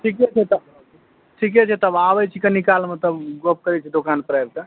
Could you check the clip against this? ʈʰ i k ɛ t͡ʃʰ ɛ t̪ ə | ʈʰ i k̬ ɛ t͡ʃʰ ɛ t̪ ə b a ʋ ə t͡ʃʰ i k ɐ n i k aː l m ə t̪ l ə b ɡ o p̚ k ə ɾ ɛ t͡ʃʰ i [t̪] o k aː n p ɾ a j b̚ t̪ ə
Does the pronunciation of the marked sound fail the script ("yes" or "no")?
yes